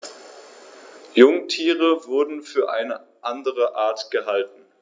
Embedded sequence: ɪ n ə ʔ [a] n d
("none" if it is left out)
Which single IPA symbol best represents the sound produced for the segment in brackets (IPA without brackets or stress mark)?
a